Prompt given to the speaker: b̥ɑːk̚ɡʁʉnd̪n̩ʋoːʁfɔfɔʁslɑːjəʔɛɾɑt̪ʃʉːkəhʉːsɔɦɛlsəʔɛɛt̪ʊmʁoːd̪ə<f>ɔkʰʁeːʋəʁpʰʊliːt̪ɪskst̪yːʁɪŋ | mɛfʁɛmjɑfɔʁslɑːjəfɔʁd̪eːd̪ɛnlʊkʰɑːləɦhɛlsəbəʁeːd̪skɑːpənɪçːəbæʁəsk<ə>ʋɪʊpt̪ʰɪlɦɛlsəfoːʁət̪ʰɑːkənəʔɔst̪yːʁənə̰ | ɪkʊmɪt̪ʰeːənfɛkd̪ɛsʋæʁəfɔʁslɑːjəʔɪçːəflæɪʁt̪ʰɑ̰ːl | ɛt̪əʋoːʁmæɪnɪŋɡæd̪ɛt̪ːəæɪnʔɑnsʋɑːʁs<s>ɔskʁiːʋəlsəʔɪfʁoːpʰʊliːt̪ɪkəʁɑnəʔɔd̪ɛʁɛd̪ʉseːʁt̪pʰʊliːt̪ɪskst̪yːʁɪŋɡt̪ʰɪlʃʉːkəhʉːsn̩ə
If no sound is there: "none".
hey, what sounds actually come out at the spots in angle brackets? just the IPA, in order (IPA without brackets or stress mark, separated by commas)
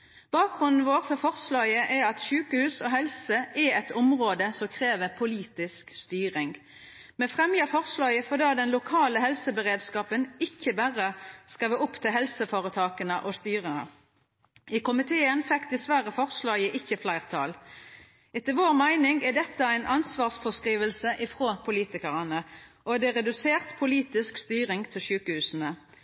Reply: s, ɑ, f